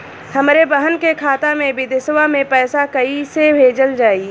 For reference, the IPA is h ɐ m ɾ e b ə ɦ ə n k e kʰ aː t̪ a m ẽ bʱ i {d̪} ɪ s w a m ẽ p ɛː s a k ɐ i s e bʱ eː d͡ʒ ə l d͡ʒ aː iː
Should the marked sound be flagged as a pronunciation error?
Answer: no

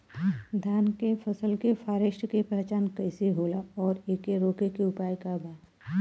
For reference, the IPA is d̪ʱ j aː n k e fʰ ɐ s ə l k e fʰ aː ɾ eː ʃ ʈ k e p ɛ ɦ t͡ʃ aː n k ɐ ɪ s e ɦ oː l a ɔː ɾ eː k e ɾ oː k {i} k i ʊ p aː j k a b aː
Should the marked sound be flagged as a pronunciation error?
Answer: yes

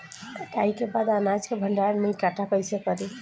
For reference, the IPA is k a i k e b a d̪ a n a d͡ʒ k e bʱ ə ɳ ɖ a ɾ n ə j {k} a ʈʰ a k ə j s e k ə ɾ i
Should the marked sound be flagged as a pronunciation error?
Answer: no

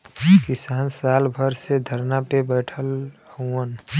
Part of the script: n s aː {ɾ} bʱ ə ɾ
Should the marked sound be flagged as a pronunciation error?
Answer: yes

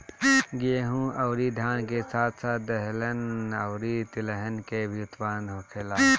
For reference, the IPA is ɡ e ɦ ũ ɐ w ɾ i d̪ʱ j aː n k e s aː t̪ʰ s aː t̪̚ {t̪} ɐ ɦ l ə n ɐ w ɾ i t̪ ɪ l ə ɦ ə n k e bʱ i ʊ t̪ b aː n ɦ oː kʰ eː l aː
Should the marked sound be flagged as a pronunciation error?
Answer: yes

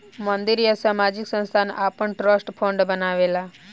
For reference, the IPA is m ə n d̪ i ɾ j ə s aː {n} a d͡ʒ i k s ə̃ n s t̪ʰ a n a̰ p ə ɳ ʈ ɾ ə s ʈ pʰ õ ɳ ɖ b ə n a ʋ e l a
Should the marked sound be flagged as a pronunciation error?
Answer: yes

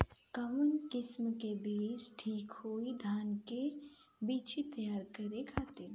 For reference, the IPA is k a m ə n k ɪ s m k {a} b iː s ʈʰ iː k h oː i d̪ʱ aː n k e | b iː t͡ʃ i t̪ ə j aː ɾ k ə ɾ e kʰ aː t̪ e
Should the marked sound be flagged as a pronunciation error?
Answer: yes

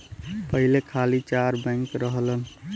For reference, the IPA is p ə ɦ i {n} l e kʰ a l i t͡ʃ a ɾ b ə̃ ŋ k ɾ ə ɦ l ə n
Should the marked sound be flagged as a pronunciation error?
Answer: yes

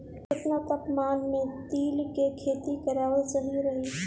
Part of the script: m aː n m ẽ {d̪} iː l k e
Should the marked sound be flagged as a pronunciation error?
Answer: yes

